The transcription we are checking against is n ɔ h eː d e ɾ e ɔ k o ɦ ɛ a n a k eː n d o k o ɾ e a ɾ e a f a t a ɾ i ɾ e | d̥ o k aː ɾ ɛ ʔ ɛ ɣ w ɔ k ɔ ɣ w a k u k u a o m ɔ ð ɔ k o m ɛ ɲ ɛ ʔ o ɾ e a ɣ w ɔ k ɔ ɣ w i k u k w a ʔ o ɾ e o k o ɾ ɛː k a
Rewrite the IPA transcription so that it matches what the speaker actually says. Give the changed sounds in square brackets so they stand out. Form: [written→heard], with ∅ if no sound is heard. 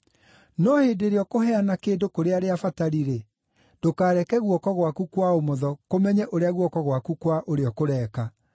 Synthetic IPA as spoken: n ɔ h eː d e ɾ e ɔ k o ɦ ɛ a n a k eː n d o k o ɾ e a ɾ e a f a t a ɾ i ɾ e | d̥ o k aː ɾ ɛ [ʔ→k] ɛ ɣ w ɔ k ɔ ɣ w a k u k [u→w] a o m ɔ ð ɔ k o m ɛ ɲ ɛ ʔ o ɾ e a ɣ w ɔ k ɔ ɣ w [i→a] k u k w a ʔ o ɾ e [o→ɔ] k o ɾ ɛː k a

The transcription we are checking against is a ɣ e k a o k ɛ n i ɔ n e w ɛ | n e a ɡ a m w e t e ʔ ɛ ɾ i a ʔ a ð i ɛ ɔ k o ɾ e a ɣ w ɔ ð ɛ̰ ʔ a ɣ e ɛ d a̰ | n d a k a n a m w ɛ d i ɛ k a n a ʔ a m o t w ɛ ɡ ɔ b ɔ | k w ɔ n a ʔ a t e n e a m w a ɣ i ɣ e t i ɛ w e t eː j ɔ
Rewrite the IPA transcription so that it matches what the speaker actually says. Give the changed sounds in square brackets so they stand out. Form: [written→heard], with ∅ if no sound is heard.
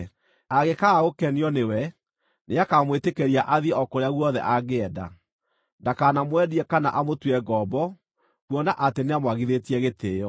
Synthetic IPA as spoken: a ɣ e k a o k ɛ n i ɔ n e w ɛ | n e a [ɡ→k] a m w e t e [ʔ→k] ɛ ɾ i a ʔ a ð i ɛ ɔ k o ɾ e a ɣ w ɔ ð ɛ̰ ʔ a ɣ e ɛ d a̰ | n d a k a n a m w ɛ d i ɛ k a n a ʔ a m o t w ɛ ɡ ɔ b ɔ | k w ɔ n a ʔ a t e n e a m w a ɣ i [ɣ→ð] e t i ɛ [w→ɣ] e t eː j ɔ

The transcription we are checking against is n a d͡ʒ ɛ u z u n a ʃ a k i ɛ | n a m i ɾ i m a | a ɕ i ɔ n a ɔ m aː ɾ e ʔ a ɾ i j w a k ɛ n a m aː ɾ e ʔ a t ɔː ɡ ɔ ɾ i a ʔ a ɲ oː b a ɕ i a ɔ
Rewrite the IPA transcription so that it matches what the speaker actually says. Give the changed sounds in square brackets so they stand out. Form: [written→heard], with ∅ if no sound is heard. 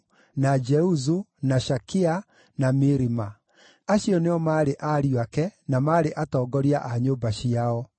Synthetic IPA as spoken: n a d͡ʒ ɛ u z u n a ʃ a k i [ɛ→a] | n a m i ɾ i m a | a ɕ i ɔ n [a→e] ɔ m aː ɾ e ʔ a ɾ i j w a k ɛ n a m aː ɾ e ʔ a t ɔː ɡ ɔ ɾ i a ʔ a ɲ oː b a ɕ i a ɔ

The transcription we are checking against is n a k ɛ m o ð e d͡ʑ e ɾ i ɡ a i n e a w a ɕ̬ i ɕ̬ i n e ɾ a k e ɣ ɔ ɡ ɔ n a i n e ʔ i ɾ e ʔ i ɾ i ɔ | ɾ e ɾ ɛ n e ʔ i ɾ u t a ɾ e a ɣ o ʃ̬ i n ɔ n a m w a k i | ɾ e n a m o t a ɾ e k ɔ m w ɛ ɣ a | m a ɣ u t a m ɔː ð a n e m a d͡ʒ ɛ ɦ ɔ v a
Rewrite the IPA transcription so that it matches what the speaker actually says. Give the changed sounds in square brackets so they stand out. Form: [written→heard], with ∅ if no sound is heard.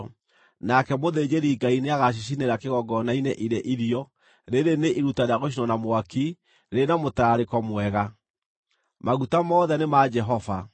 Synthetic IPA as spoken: n a k ɛ m o ð e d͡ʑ e ɾ i ɡ a i n e a [w→ɣ] a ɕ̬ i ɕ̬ i n e ɾ a k e ɣ ɔ ɡ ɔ n a i n e ʔ i ɾ e ʔ i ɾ i ɔ | ɾ e ɾ [ɛ→e] n e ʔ i ɾ u t a ɾ e a ɣ o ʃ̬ i n ɔ n a m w a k i | ɾ e n a m o t a ɾ e k ɔ m w ɛ ɣ a | m a ɣ u t a m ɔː ð [a→ɛ] n e m a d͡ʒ ɛ ɦ ɔ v a

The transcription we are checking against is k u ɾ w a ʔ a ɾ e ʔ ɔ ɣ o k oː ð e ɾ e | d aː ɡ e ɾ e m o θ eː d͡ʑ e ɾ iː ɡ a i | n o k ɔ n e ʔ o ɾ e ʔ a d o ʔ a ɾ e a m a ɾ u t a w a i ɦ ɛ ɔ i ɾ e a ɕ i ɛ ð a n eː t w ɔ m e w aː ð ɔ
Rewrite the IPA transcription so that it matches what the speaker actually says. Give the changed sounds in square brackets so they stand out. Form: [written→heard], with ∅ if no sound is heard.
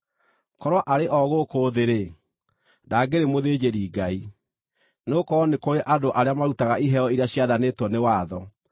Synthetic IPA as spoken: k [u→ɔ] ɾ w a ʔ a ɾ e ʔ ɔ ɣ o k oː ð e ɾ e | d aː ɡ e ɾ e m o [θ→ð] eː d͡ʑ e ɾ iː ɡ a i | n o k ɔ n e [ʔ→k] o ɾ e ʔ a d o ʔ a ɾ e a m a ɾ u t a [w→ɣ] a i ɦ ɛ ɔ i ɾ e a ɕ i [ɛ→a] ð a n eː t w ɔ [m→n] e w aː ð ɔ

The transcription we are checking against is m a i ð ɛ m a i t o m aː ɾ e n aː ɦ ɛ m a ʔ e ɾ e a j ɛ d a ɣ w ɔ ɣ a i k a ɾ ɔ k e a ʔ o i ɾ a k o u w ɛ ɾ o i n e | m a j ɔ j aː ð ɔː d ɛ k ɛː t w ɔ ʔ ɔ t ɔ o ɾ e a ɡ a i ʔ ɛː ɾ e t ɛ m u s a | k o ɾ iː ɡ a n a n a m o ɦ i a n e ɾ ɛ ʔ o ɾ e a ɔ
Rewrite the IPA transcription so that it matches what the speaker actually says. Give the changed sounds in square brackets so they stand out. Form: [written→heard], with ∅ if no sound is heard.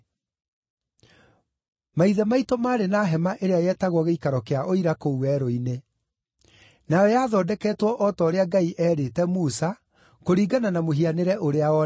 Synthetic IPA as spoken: m a i ð ɛ m a i t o m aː ɾ e n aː ɦ ɛ m a ʔ e ɾ e a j ɛ [d→t] a ɣ w ɔ ɣ [a→e] i k a ɾ ɔ k e a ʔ o i ɾ a k o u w ɛ ɾ o i n e | [m→n] a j ɔ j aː ð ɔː d ɛ k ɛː t w ɔ ʔ ɔ t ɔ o ɾ e a ɡ a i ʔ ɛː ɾ e t ɛ m u s a | k o ɾ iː ɡ a n a n a m o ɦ i a n e ɾ ɛ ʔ o ɾ e a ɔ

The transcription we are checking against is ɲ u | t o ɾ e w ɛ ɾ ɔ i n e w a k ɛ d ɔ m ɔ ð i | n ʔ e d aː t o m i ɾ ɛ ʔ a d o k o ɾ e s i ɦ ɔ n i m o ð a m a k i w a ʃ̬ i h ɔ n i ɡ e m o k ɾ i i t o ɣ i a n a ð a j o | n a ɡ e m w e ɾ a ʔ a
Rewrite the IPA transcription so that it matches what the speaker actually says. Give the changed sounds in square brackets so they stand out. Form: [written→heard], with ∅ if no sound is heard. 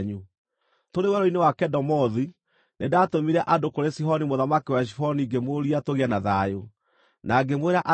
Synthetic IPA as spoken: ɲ u | t o ɾ e w ɛ ɾ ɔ i n e w a k ɛ d ɔ m ɔ ð i | n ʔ e d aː t o m i ɾ ɛ ʔ a d o k o ɾ e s i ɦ ɔ n i m o ð a m a k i w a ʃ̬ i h ɔ n i ɡ e m o [k→∅] ɾ i [i→a] t o ɣ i a n a ð a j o | n a ɡ e m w e ɾ a ʔ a

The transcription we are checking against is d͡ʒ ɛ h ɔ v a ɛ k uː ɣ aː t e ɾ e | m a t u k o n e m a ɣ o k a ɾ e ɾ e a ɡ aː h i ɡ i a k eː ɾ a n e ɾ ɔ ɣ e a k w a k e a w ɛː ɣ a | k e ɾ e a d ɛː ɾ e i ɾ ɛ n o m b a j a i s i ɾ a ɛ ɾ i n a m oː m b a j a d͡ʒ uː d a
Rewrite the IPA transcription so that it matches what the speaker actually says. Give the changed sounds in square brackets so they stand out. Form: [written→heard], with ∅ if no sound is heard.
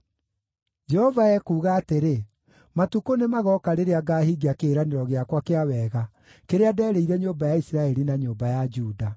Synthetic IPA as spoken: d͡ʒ ɛ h ɔ v a ɛ k uː ɣ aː t e ɾ e | m a t u k o n e m a ɣ [o→ɔ] k a ɾ e ɾ e a ɡ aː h i ɡ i a k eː ɾ a n e ɾ ɔ ɣ e a k w a k e a w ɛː ɣ a | k e ɾ e a d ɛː ɾ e i ɾ ɛ [n→ɲ] o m b a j a i s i ɾ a ɛ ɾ i n a [m→ɲ] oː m b a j a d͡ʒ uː d a

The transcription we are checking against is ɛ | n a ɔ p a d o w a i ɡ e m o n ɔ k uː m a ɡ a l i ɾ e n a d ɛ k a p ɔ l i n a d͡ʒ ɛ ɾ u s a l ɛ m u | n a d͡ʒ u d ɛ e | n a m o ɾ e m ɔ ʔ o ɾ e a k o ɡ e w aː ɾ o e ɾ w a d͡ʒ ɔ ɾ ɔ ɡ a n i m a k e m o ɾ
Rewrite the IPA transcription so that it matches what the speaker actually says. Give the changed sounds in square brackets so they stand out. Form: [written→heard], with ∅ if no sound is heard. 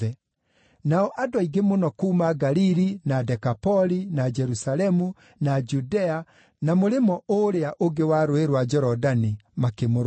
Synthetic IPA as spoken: ɛ | n a ɔ [p→ʔ] a d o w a i ɡ e m o n ɔ k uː m a ɡ a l i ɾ [e→i] n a d ɛ k a p ɔ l i n a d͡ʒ ɛ ɾ u s a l ɛ m u | n a d͡ʒ u d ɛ [e→a] | n a m o ɾ e m ɔ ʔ o ɾ e a [k→ʔ] o ɡ e w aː ɾ o e ɾ w a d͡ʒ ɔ ɾ ɔ [ɡ→d] a n i m a k e m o ɾ

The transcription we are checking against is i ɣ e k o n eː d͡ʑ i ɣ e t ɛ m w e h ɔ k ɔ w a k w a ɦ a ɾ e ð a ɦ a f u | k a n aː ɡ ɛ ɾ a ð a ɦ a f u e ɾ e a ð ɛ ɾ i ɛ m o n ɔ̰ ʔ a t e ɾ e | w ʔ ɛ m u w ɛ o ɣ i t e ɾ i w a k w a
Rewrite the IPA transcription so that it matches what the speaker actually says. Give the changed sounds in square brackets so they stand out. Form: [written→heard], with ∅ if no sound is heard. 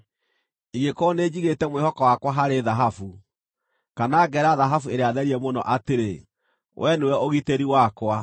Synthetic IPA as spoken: i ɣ e k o n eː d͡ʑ i ɣ e t ɛ m w e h ɔ k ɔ w a k w a ɦ a ɾ e ð a ɦ a f u | k a n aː ɡ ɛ ɾ a ð a ɦ a f u e ɾ e a ð ɛ ɾ i ɛ m o n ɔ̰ ʔ a t e ɾ e | w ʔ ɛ [m→n] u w ɛ o ɣ i t e ɾ i w a k w a

